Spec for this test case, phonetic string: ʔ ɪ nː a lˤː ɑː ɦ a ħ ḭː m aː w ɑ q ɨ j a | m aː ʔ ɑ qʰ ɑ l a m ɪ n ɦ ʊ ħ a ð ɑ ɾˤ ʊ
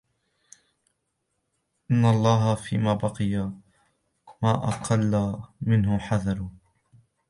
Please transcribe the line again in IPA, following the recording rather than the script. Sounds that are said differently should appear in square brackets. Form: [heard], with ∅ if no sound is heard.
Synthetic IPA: ʔ ɪ nː a lˤː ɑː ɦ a [f] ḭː m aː [b] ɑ q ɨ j a | m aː ʔ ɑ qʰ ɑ [lː] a m ɪ n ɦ ʊ ħ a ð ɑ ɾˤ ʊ